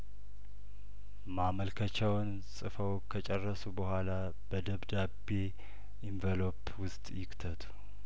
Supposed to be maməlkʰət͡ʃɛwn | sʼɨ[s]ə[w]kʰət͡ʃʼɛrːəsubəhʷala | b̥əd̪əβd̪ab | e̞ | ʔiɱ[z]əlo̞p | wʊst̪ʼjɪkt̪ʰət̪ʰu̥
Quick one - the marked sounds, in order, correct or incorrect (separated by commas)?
incorrect, correct, incorrect